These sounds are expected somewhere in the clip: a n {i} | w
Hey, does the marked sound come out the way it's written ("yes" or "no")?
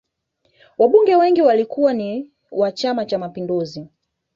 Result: yes